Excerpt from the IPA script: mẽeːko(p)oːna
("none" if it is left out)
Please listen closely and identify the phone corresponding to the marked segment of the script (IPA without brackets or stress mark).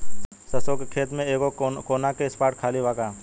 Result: k